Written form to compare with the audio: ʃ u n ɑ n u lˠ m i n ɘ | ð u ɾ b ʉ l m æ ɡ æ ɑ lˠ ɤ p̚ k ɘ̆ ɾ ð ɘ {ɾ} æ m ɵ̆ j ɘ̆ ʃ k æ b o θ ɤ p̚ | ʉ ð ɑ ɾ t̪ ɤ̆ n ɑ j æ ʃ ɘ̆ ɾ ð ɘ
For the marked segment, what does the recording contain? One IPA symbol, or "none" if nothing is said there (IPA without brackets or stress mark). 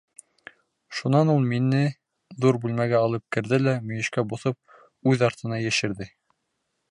l